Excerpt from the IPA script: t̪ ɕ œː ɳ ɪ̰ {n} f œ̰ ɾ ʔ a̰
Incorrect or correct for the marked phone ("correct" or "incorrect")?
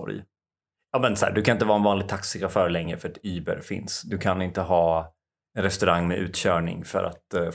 incorrect